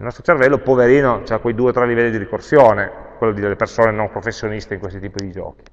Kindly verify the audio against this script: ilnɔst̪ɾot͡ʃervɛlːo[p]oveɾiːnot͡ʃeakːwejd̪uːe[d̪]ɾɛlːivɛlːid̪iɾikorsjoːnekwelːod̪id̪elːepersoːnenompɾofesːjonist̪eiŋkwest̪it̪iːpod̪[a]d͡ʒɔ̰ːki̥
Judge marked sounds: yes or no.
yes, no, no

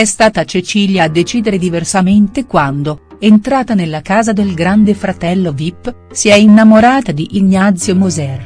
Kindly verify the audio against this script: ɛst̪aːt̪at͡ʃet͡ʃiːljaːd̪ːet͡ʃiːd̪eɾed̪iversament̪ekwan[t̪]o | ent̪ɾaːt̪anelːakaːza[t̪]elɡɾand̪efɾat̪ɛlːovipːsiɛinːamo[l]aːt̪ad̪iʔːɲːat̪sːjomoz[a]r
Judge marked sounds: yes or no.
no, no, no, no

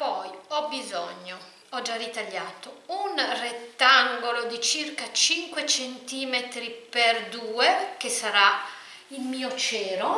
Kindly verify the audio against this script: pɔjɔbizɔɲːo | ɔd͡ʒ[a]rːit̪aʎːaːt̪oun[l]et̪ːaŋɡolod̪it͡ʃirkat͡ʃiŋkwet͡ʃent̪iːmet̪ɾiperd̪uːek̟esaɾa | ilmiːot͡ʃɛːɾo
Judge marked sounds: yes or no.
yes, no

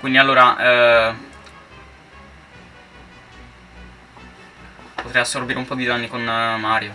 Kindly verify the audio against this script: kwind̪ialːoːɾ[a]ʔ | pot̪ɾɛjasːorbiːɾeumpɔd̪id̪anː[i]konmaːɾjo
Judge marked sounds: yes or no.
yes, yes

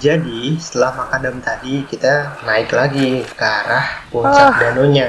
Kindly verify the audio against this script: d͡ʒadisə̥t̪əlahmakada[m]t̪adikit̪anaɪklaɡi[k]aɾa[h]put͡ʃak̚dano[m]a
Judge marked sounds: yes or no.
yes, yes, yes, no

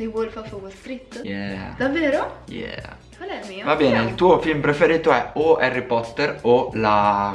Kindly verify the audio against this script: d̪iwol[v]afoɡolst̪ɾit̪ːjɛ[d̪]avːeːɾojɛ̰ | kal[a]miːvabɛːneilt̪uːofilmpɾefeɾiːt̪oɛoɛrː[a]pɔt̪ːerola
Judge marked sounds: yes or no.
no, yes, no, no

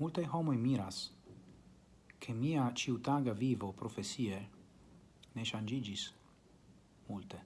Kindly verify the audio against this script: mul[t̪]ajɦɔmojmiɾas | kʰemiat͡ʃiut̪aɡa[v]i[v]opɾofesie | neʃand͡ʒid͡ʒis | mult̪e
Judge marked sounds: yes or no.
yes, yes, yes

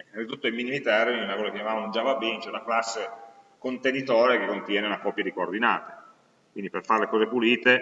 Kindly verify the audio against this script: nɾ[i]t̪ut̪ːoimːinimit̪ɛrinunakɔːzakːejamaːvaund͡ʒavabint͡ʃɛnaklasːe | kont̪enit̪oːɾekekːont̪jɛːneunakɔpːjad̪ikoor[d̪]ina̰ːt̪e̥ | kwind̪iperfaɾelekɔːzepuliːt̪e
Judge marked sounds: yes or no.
yes, yes

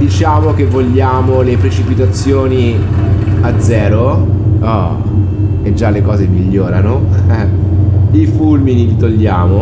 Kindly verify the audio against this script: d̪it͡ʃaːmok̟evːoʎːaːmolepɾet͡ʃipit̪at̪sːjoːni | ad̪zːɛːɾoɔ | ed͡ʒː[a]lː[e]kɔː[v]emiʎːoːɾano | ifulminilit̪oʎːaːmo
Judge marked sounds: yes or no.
yes, yes, no

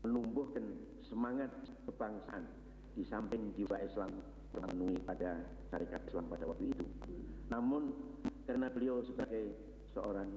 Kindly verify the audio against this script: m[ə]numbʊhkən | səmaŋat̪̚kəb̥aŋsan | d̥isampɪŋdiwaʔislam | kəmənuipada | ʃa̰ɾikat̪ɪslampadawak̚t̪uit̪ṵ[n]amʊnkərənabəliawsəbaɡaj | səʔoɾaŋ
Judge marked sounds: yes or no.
yes, yes

